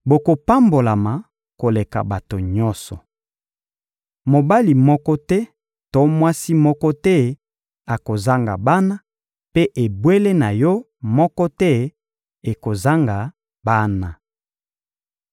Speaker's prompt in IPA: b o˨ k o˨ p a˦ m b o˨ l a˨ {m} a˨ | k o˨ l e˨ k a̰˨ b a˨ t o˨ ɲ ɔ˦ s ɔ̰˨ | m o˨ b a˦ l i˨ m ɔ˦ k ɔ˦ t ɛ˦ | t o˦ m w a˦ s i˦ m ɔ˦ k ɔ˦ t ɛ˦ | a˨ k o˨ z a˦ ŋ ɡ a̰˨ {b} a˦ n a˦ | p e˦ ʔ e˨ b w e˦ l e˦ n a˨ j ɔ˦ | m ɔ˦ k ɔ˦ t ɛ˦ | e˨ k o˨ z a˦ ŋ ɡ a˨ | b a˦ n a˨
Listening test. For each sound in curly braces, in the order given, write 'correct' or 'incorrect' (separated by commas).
correct, correct